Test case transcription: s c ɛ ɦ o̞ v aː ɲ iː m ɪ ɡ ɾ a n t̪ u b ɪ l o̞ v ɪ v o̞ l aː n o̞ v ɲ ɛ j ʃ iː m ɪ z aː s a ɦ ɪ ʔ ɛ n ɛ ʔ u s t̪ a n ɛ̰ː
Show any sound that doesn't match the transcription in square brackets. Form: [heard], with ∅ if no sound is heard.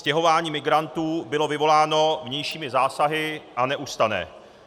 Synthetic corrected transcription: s c ɛ ɦ o̞ v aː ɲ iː m ɪ ɡ ɾ a n t̪ [uː] b ɪ l o̞ v ɪ v o̞ l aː n o̞ v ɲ ɛ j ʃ iː m ɪ z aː s a ɦ ɪ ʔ [a] n ɛ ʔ u s t̪ a n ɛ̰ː